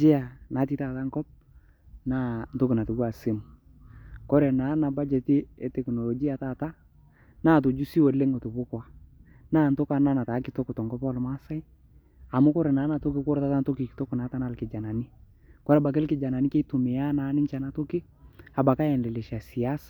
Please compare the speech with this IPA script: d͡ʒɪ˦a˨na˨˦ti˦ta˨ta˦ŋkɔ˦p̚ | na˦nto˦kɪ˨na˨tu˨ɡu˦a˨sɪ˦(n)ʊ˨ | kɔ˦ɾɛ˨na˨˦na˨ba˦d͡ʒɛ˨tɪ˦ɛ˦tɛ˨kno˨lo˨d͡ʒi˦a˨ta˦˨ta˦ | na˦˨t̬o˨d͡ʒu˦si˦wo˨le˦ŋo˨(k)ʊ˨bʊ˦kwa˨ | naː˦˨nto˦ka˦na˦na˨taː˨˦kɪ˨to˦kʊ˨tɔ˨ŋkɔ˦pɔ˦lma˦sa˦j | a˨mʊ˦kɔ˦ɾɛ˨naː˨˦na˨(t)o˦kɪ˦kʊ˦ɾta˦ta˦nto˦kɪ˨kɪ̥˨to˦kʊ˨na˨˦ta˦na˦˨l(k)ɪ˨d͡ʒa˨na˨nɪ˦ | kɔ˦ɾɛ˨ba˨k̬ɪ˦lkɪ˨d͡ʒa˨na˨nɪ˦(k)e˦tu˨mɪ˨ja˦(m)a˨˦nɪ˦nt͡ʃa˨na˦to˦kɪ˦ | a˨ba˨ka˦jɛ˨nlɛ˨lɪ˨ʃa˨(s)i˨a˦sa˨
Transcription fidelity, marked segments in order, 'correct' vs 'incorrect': incorrect, incorrect, correct, correct, correct, incorrect, correct

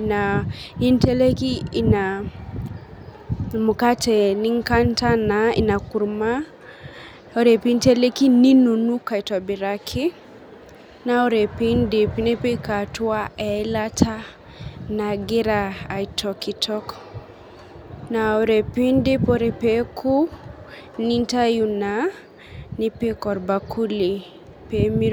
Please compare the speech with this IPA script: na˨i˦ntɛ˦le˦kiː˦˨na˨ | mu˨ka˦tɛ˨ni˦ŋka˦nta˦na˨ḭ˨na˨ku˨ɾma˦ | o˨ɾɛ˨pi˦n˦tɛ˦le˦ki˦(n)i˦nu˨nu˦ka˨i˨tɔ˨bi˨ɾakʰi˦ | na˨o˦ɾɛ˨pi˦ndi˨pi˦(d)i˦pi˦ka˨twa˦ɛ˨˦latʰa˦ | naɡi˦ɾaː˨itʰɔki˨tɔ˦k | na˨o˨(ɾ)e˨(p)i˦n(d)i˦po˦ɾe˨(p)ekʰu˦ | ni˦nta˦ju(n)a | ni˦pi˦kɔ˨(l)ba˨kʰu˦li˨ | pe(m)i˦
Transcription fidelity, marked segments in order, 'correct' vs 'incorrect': correct, incorrect, correct, correct, correct, correct, correct, incorrect, correct

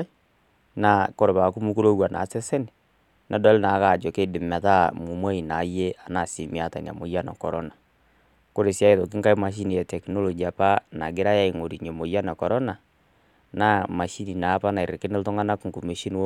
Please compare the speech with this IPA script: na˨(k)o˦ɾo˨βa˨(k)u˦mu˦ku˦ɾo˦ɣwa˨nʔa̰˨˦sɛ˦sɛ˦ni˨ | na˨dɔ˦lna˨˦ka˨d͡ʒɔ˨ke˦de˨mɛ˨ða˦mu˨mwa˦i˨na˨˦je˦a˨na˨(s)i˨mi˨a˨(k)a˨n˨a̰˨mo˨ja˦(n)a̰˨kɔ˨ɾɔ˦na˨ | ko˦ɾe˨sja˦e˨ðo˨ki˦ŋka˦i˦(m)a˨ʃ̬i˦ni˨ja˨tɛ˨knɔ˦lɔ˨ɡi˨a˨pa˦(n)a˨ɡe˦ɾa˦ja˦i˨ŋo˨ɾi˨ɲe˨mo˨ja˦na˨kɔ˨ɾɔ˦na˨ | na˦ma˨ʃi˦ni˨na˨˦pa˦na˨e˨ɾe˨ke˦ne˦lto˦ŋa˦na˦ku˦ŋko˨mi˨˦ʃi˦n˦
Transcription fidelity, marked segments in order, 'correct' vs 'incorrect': correct, correct, correct, incorrect, correct, correct, correct

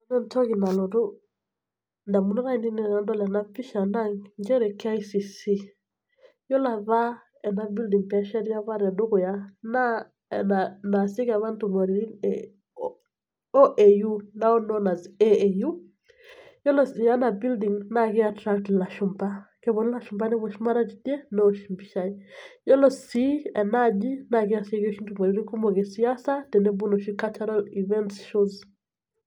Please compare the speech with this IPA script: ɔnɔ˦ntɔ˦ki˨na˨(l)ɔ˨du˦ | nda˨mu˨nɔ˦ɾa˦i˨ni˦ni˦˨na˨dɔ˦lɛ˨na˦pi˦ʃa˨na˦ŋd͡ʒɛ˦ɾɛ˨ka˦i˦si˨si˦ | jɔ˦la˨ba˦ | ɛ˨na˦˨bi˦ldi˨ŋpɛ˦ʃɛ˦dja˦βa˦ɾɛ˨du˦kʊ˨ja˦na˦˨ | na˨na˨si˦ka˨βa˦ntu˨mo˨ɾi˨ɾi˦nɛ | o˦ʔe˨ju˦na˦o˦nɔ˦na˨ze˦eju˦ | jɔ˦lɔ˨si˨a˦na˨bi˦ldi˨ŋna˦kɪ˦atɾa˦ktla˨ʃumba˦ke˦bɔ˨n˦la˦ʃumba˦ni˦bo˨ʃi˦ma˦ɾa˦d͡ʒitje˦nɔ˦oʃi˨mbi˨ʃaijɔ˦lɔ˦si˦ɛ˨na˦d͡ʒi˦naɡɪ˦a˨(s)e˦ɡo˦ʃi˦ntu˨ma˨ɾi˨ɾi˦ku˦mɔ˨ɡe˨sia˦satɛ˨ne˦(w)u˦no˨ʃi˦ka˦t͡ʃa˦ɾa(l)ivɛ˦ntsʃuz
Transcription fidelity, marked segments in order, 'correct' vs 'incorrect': correct, correct, incorrect, correct

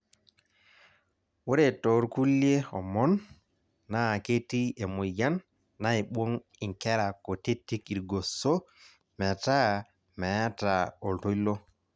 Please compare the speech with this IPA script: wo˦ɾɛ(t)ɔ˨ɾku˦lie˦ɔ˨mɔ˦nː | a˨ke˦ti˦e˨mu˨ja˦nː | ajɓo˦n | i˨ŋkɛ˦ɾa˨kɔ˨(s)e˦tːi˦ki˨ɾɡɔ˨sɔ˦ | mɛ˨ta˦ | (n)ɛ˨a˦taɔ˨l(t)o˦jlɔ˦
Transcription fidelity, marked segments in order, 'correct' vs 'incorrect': correct, incorrect, incorrect, correct

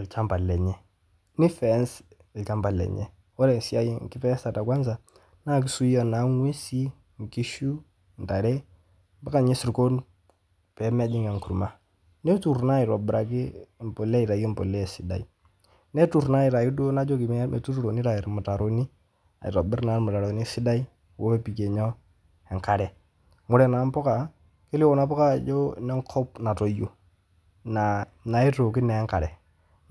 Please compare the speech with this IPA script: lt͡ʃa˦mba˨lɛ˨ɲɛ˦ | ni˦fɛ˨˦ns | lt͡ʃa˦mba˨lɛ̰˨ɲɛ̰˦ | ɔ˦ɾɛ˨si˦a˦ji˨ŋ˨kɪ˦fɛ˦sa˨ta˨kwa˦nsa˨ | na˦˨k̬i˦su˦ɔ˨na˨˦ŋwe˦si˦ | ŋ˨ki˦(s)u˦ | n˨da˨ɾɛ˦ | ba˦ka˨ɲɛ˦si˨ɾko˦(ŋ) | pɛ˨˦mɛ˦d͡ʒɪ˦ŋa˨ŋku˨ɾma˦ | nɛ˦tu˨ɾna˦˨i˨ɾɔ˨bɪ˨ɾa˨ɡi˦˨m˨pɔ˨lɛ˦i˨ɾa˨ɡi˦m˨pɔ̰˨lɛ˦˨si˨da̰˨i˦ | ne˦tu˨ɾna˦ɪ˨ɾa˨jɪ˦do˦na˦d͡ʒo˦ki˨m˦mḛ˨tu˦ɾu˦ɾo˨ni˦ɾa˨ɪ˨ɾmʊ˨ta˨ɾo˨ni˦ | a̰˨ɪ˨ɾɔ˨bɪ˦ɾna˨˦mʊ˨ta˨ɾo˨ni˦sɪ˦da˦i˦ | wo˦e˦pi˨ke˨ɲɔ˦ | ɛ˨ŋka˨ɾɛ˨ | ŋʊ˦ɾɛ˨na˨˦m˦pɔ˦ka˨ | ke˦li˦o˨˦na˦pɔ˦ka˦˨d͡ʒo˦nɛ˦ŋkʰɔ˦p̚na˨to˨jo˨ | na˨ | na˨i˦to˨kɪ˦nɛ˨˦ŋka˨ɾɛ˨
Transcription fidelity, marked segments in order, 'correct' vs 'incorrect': incorrect, incorrect

